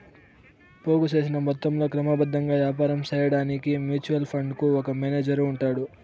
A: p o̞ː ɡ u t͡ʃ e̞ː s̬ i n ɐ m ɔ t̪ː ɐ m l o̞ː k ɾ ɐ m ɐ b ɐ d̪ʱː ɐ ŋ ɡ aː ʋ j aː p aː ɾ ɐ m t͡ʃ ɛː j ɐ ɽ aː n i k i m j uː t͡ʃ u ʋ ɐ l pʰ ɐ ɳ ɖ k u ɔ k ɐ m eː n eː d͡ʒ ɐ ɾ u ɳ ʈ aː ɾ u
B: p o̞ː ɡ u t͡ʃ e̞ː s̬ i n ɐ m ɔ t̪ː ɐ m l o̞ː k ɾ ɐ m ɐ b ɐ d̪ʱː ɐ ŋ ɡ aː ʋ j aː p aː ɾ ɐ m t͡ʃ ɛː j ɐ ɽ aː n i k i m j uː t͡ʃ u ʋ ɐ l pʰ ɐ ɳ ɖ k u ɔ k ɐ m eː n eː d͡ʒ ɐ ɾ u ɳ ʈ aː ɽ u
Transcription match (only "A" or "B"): B